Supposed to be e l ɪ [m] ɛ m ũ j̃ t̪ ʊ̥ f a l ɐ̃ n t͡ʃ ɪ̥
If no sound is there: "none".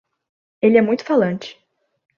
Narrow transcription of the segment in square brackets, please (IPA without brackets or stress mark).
none